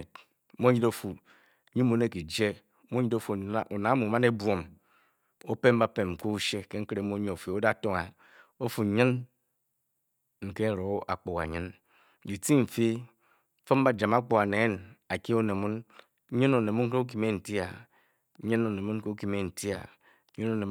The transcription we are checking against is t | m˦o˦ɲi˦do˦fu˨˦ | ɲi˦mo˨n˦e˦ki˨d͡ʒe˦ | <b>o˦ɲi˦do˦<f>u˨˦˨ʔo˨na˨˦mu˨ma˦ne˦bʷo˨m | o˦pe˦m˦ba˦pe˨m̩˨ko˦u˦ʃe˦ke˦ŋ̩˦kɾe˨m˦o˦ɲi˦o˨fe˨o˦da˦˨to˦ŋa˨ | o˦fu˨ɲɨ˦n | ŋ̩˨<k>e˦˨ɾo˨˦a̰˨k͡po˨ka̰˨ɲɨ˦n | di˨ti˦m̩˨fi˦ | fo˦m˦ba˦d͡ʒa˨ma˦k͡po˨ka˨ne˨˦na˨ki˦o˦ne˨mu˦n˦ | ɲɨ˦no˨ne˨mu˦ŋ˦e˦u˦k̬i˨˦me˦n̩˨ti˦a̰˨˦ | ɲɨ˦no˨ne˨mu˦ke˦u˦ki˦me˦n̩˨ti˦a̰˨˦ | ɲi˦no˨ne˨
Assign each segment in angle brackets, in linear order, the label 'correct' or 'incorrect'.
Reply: incorrect: m, correct, correct

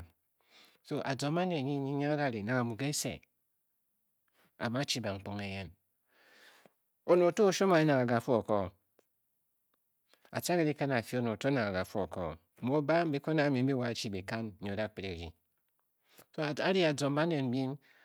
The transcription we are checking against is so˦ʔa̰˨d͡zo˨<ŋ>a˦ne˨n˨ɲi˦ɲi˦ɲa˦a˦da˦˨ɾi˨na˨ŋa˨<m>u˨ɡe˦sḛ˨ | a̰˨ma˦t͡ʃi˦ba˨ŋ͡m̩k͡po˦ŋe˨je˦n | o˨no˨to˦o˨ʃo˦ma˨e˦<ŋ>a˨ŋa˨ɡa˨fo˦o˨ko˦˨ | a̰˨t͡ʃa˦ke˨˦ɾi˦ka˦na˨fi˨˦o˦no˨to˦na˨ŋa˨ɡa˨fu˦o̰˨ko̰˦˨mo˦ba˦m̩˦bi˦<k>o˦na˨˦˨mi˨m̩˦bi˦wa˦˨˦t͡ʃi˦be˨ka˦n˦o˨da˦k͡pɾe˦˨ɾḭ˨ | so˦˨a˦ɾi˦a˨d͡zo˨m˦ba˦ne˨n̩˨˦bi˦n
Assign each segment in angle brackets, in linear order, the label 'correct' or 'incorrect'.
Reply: incorrect: m, correct, incorrect: n, correct

